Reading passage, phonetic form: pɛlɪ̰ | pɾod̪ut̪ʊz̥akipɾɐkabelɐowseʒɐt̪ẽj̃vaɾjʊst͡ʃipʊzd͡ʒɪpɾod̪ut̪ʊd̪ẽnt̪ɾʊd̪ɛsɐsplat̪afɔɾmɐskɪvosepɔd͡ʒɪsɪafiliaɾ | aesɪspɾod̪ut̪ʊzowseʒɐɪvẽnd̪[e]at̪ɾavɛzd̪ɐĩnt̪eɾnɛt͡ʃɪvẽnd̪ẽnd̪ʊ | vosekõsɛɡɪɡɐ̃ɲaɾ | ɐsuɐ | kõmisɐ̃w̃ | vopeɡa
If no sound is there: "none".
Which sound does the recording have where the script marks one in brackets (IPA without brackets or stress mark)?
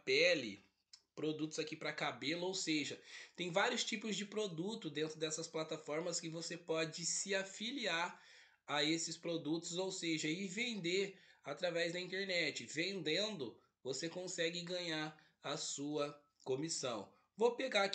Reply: e